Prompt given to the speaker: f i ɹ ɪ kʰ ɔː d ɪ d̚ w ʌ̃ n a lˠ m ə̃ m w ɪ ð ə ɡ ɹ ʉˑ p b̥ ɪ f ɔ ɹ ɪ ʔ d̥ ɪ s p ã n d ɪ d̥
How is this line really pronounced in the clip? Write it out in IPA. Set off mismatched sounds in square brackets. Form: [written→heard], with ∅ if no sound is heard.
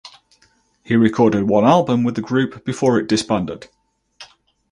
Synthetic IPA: [f→h] i ɹ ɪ kʰ ɔː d ɪ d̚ w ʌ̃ n a lˠ [m→b] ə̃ m w ɪ ð ə ɡ ɹ ʉˑ p b̥ ɪ f [ɔ→ɔː] ɹ ɪ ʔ d̥ ɪ s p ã n d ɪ d̥

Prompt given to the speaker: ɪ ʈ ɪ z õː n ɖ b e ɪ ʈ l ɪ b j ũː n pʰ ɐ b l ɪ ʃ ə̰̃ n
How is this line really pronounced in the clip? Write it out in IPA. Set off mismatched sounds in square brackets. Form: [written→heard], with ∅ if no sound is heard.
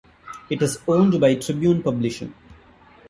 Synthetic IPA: ɪ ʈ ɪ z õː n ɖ b [e→a] ɪ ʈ [l→ɾ] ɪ b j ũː n [pʰ→p] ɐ b l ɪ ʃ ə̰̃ n

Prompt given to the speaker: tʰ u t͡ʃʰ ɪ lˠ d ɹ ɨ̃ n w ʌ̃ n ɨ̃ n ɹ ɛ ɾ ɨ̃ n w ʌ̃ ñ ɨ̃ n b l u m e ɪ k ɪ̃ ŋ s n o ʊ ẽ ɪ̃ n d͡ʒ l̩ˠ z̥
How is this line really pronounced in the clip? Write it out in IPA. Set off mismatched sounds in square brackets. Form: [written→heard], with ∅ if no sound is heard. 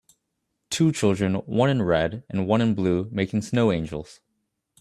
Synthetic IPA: tʰ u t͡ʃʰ ɪ lˠ d ɹ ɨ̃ n w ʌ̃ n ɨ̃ n ɹ ɛ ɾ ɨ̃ n w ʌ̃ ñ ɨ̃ n b l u m e ɪ k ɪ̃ ŋ s n o ʊ ẽ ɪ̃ n d͡ʒ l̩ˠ z̥

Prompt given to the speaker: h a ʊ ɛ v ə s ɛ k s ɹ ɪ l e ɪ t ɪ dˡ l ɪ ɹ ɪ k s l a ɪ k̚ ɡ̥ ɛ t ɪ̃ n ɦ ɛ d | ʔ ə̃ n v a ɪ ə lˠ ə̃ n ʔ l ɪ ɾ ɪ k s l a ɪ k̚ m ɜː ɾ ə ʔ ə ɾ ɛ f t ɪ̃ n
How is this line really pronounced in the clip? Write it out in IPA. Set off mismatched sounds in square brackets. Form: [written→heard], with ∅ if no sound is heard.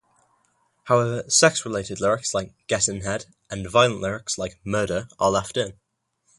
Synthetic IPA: h a ʊ ɛ v ə s ɛ k s ɹ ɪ l e ɪ t ɪ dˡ l ɪ ɹ ɪ k s l a ɪ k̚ ɡ̥ ɛ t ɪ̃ n ɦ ɛ d | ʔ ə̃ n v a ɪ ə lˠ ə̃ n ʔ l ɪ [ɾ→ɹ] ɪ k s l a ɪ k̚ m ɜː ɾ ə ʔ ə [ɾ→l] ɛ f t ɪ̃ n

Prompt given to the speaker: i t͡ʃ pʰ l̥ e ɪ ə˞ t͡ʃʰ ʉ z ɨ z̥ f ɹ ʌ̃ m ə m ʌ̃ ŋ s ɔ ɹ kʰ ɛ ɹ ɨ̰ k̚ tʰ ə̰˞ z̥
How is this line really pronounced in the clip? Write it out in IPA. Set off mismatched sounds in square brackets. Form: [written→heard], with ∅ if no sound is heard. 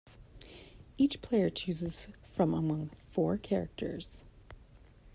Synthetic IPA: i t͡ʃ pʰ l̥ e ɪ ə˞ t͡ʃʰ ʉ z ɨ z̥ f ɹ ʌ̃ m ə m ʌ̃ ŋ [s→f] ɔ ɹ kʰ ɛ ɹ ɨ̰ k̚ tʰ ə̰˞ z̥

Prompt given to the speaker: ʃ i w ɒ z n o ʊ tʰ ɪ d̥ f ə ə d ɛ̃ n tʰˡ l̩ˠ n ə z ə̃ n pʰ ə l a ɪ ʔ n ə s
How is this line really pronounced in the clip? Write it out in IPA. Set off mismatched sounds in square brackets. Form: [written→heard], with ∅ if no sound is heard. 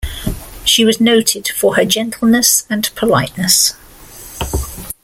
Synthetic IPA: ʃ i w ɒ z n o ʊ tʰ ɪ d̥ f ə ə [d→d͡ʒ] ɛ̃ n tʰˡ l̩ˠ n ə [z→s] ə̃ n pʰ ə l a ɪ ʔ n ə s

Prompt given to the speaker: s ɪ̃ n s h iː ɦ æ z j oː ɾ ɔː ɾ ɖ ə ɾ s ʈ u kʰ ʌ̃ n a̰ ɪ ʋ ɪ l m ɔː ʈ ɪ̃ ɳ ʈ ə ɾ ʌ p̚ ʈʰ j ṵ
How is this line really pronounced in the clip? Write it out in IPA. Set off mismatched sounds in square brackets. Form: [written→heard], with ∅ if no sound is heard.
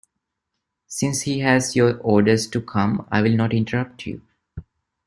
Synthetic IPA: s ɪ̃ n s h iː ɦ æ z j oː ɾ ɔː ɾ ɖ ə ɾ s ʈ u kʰ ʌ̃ [n→m] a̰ ɪ ʋ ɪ l [m→n] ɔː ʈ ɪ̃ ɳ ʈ ə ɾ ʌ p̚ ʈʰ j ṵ

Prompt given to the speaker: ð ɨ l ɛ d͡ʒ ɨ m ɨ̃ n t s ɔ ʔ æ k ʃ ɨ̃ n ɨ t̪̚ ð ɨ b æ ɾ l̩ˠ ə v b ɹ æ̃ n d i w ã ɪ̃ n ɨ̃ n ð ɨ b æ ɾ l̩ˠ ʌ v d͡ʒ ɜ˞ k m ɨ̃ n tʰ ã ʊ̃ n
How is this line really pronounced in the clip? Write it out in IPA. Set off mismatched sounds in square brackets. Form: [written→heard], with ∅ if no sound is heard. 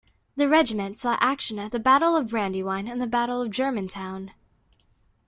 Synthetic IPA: ð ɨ [l→ɹ] ɛ d͡ʒ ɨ m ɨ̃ n t s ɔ ʔ æ k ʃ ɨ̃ n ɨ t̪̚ ð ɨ b æ ɾ l̩ˠ [ə→ʌ] v b ɹ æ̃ n d i w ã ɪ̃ n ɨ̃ n ð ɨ b æ ɾ l̩ˠ ʌ v d͡ʒ ɜ˞ [k→∅] m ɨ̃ n tʰ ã ʊ̃ n

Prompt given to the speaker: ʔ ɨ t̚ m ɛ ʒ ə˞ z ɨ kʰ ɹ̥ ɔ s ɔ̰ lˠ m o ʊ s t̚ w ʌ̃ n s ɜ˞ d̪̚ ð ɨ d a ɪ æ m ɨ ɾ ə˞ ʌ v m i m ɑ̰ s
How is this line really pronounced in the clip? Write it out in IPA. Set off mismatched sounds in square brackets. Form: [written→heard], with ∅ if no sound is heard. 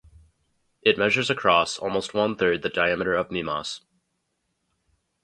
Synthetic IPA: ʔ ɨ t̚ m ɛ ʒ ə˞ z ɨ kʰ ɹ̥ ɔ s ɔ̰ lˠ m o ʊ s t̚ w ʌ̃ n [s→θ] ɜ˞ d̪̚ ð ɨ d a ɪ æ m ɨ ɾ ə˞ ʌ v m i m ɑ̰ s

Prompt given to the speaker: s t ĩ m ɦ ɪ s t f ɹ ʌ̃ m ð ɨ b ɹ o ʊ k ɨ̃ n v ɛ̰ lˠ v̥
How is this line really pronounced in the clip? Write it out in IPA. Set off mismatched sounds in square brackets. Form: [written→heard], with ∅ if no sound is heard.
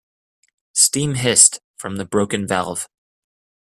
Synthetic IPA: s t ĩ m ɦ ɪ s t f ɹ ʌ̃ m ð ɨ b ɹ o ʊ k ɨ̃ n v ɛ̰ lˠ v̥

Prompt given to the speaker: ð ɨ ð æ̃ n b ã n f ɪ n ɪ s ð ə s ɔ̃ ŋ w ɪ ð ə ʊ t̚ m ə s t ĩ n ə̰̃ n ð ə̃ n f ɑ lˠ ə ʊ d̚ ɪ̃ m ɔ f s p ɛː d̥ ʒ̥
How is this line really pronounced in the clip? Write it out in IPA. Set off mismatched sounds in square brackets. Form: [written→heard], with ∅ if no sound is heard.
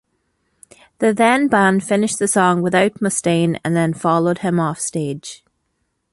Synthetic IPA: ð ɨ ð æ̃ n b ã n f ɪ n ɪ [s→ʃ] ð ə s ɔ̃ ŋ w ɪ ð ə ʊ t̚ m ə s t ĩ n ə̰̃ n ð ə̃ n f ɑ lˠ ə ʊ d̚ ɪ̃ m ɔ f s [p→t] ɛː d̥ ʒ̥

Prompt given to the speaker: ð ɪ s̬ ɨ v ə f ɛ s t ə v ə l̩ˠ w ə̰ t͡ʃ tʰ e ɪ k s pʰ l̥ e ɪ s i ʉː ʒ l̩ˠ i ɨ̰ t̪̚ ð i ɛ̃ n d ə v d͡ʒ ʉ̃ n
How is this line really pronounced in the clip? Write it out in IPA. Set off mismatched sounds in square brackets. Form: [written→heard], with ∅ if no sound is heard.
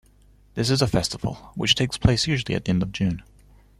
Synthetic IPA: ð ɪ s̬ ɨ [v→z] ə f ɛ s t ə v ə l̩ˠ w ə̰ t͡ʃ tʰ e ɪ k s pʰ l̥ e ɪ s [i→j] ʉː ʒ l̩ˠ i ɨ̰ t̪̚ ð i ɛ̃ n d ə v d͡ʒ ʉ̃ n

